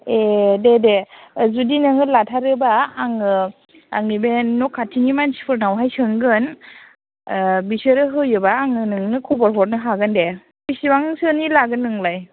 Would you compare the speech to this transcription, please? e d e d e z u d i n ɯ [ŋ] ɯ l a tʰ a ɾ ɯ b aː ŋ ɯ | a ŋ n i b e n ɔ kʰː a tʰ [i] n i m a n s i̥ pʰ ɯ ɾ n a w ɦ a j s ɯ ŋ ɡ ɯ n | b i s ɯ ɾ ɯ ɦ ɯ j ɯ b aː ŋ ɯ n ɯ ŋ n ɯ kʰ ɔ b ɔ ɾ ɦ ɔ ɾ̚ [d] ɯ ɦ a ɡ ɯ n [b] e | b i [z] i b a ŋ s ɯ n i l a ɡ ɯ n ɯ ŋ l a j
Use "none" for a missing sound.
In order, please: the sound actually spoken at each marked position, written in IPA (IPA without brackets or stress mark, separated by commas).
ŋ, i, n, d, s